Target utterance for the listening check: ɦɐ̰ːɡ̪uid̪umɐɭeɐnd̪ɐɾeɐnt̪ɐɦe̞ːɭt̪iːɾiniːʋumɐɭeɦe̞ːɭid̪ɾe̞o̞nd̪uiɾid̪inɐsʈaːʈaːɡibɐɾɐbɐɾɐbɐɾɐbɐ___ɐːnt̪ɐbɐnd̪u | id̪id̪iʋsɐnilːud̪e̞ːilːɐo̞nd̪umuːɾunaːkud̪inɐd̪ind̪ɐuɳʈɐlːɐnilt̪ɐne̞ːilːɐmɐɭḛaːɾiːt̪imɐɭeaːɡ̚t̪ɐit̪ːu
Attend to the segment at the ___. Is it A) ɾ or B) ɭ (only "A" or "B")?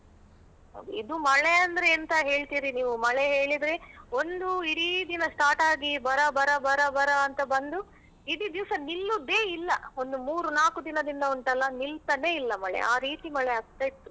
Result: A